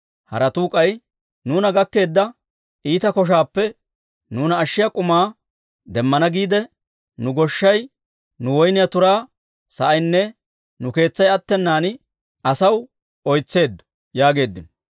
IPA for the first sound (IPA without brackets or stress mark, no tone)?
h